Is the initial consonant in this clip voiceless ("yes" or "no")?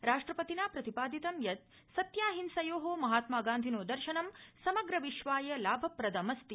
no